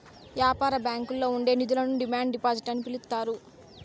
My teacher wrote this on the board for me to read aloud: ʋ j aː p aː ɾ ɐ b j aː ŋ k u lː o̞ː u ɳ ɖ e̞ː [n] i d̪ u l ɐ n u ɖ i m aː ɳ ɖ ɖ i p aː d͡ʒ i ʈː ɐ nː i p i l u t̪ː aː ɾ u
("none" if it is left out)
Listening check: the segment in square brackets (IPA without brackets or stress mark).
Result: n